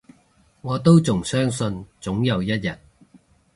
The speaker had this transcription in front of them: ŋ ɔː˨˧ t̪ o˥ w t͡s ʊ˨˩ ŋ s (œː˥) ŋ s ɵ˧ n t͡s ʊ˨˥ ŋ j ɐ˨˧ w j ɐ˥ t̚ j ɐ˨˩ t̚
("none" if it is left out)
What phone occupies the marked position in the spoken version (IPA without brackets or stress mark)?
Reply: œː˥